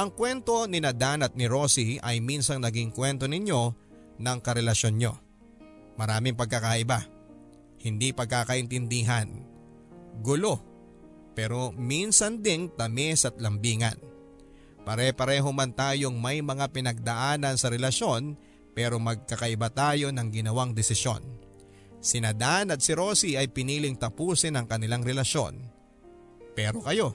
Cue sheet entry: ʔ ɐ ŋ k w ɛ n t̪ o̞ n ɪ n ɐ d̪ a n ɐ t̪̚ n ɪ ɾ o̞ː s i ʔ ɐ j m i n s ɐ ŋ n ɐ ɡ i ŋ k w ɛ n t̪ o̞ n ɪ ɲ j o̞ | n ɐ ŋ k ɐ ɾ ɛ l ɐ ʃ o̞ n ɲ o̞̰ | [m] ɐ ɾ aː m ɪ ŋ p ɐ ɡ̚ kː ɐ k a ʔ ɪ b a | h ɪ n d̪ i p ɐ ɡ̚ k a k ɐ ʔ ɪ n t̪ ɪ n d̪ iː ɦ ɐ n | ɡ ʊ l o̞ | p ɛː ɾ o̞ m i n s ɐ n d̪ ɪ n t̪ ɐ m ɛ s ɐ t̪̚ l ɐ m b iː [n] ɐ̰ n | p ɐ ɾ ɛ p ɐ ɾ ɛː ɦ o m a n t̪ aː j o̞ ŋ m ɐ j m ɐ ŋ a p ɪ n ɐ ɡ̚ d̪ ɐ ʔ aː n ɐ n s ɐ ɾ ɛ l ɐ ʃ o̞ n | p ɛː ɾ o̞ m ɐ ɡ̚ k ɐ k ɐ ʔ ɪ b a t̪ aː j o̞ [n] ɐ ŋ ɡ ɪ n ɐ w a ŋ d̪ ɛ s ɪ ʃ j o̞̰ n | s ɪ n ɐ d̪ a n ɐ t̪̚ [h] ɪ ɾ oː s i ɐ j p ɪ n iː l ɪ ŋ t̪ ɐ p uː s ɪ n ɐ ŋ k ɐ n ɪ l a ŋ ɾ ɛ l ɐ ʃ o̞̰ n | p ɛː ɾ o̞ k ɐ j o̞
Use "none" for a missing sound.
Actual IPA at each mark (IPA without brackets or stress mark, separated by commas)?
m, ŋ, n, s